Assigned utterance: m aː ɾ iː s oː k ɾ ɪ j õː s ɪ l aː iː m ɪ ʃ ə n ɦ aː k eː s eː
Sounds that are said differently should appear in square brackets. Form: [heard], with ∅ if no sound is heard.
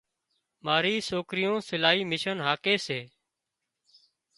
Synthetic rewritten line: m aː ɾ iː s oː k ɾ ɪ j õː s ɪ l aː iː m ɪ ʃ ə n ɦ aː k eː s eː